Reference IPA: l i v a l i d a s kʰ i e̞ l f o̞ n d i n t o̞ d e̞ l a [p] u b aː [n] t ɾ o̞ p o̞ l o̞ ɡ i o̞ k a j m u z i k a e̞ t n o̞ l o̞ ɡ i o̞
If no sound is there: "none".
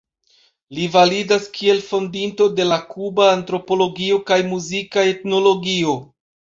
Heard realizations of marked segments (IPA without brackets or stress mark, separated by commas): k, n